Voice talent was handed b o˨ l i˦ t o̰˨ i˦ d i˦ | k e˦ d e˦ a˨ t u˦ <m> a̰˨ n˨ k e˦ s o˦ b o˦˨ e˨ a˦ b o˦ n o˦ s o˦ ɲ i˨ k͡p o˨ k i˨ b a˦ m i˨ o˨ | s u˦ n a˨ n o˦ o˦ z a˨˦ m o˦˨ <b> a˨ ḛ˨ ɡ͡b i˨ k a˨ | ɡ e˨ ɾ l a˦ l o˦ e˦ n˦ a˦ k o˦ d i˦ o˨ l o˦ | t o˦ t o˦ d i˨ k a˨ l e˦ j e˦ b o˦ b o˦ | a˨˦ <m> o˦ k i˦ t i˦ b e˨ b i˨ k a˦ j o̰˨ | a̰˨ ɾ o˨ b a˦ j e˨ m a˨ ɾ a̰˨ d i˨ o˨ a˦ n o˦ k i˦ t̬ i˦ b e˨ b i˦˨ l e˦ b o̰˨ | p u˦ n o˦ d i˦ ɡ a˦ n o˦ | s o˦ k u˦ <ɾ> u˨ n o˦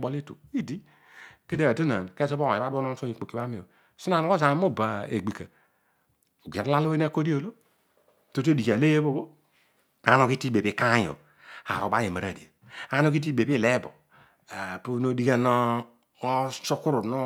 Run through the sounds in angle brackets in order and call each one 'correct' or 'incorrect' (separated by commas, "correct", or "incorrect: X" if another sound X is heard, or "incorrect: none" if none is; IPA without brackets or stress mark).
incorrect: n, correct, incorrect: n, correct